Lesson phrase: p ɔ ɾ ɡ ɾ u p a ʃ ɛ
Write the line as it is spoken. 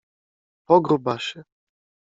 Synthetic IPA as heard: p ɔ ɡ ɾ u b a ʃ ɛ